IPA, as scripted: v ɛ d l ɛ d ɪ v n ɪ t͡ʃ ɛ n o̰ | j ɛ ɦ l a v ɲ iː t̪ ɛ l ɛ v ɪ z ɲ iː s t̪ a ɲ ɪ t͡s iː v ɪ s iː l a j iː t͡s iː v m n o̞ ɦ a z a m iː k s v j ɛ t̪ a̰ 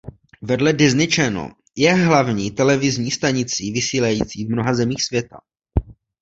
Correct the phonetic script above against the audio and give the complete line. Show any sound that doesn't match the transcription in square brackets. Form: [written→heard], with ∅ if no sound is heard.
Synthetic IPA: v ɛ d l ɛ d ɪ [v→z] n ɪ t͡ʃ ɛ n o̰ | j ɛ ɦ l a v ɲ iː t̪ ɛ l ɛ v ɪ z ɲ iː s t̪ a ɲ ɪ t͡s iː v ɪ s iː l a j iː t͡s iː v m n o̞ ɦ a z [a→ɛ] m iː [k→x] s v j ɛ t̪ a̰